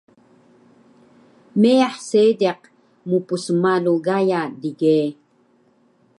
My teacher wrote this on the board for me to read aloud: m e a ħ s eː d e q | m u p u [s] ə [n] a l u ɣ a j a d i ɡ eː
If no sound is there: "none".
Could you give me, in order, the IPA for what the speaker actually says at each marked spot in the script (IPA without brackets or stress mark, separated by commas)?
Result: s, m